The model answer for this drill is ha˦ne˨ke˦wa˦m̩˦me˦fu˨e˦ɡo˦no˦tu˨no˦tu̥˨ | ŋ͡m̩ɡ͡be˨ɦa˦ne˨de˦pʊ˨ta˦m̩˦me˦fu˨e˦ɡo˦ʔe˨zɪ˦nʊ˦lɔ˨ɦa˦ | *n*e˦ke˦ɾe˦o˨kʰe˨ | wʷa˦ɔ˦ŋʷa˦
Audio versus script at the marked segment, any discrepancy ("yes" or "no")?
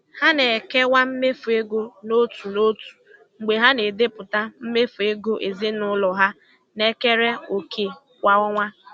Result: no